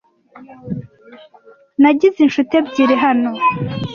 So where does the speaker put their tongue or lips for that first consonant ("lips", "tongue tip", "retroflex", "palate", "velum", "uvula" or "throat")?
tongue tip